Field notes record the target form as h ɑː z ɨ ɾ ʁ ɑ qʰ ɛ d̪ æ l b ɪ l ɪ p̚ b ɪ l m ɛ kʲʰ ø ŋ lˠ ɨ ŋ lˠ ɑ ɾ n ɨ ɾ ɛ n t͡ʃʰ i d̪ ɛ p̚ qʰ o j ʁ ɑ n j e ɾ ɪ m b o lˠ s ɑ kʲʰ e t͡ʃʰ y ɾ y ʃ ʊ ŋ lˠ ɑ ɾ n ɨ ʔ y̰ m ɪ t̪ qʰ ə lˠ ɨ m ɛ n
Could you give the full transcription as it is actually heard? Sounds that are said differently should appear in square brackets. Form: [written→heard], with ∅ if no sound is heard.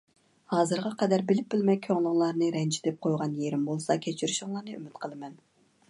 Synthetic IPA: h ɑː z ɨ ɾ ʁ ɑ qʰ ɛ d̪ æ [l→ɾ] b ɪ l ɪ p̚ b ɪ l m ɛ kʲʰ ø ŋ lˠ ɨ ŋ lˠ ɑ ɾ n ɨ ɾ ɛ n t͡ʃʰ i d̪ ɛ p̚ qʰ o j ʁ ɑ n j e ɾ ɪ m b o lˠ s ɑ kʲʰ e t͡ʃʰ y ɾ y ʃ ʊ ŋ lˠ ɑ ɾ n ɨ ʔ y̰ m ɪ t̪ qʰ ə lˠ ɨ m ɛ n